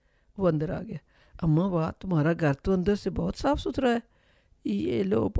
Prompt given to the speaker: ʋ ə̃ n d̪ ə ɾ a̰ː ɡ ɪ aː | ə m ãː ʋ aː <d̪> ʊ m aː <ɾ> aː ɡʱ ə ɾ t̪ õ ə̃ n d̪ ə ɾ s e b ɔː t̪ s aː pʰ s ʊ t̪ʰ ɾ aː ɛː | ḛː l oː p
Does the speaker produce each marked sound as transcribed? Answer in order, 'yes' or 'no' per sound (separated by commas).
no, yes